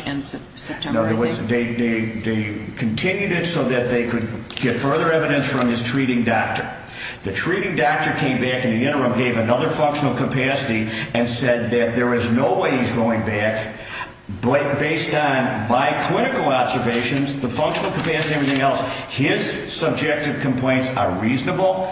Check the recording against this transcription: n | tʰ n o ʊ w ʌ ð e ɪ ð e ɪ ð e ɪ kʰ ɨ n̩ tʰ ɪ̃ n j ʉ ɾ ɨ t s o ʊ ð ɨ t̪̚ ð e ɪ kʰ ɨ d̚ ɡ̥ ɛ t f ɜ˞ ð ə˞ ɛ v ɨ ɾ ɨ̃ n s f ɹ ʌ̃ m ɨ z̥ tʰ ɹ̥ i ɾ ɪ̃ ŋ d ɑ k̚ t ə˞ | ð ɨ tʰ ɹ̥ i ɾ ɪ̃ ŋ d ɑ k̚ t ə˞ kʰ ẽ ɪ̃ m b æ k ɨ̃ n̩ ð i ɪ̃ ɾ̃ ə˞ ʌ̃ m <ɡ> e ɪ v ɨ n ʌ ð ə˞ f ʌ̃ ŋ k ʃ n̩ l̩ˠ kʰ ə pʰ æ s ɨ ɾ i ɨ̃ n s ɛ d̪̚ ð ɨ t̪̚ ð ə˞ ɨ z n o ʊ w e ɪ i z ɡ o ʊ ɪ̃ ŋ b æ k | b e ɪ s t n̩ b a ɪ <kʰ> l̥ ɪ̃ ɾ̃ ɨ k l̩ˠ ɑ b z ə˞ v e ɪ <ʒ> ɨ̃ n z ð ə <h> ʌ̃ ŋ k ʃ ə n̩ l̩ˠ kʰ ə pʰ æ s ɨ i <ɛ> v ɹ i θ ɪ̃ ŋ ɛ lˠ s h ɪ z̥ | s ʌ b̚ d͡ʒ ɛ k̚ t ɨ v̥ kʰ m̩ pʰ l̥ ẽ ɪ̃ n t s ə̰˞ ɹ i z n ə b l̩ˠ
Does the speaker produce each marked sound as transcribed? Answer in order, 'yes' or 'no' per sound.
yes, yes, no, no, yes

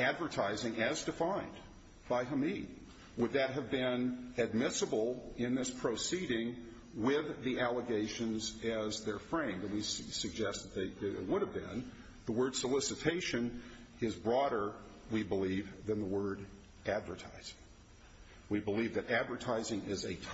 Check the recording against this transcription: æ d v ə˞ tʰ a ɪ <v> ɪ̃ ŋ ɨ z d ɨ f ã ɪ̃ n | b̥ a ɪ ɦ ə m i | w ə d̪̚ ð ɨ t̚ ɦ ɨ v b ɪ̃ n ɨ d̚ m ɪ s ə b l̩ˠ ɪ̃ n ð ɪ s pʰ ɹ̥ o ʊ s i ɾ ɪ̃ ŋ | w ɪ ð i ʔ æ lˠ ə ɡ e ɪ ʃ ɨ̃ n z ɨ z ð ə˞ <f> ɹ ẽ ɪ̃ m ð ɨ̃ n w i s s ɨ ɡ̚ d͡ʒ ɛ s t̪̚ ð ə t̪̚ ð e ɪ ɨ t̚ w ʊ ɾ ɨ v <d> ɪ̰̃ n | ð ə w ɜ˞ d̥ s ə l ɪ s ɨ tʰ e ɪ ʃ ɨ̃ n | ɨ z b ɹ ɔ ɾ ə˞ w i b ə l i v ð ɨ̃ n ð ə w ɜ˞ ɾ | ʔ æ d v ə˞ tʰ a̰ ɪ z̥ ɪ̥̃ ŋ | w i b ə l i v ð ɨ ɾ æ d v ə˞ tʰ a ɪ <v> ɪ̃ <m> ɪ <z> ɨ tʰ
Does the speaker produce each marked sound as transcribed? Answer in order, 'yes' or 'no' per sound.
no, yes, no, no, no, yes

